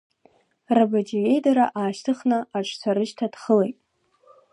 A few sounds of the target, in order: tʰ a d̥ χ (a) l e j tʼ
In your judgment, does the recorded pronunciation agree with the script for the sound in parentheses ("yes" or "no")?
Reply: no